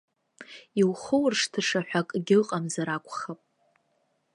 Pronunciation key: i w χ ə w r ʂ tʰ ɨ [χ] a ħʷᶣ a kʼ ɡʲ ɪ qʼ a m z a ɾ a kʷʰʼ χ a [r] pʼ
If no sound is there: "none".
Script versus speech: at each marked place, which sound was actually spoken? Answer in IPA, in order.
ʂ, none

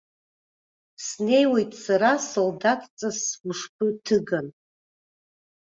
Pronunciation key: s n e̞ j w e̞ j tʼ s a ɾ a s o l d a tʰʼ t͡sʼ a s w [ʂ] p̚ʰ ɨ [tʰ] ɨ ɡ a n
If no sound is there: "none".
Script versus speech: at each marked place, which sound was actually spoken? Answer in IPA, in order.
ʂ, tʰ

